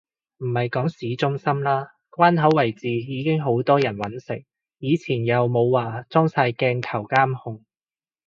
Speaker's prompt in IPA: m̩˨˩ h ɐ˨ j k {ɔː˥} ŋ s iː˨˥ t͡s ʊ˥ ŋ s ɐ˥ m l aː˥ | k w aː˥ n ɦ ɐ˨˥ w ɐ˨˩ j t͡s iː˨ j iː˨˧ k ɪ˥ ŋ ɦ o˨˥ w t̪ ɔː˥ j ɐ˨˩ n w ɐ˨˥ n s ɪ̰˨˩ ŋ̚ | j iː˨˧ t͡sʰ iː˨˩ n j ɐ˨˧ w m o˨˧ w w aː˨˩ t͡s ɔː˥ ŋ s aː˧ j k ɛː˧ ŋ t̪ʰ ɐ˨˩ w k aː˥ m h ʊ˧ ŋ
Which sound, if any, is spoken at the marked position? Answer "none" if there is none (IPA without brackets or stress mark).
ɔː˨˥